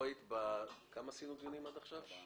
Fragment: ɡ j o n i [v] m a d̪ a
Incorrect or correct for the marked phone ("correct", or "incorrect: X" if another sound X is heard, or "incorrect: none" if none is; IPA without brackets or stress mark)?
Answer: incorrect: none